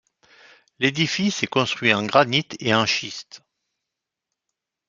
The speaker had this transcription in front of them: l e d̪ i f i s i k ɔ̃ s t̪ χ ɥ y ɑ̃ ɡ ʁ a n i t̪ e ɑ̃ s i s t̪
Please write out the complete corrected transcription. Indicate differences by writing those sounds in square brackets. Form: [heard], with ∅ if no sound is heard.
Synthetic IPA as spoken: l e d̪ i f i s [ɛ] k ɔ̃ s t̪ χ ɥ [i] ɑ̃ ɡ ʁ a n i t̪ e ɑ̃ [ʃ] i s t̪